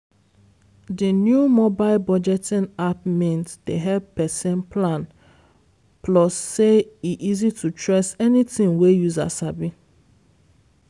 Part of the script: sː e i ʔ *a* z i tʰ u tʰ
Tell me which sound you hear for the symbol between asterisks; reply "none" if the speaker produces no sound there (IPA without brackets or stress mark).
i